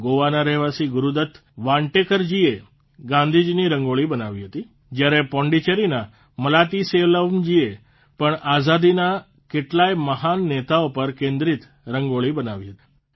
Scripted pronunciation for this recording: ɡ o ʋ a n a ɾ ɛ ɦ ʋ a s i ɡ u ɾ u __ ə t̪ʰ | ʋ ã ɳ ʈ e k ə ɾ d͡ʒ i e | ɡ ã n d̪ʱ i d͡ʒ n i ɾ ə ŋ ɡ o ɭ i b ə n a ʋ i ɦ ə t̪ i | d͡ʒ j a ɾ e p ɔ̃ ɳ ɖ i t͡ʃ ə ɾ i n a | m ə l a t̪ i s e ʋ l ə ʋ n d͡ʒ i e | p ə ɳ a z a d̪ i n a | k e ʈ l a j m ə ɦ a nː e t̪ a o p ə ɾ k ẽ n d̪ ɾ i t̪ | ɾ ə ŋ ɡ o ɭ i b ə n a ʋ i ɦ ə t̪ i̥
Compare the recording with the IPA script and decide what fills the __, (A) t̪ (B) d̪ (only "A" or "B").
B